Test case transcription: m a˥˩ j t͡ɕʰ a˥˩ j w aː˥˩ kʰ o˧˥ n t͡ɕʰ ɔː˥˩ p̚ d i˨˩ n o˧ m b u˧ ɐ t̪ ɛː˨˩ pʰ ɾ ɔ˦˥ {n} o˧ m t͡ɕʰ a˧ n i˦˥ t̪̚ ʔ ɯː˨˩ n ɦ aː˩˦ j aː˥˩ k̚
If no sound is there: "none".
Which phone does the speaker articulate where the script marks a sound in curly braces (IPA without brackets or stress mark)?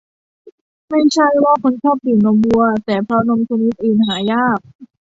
n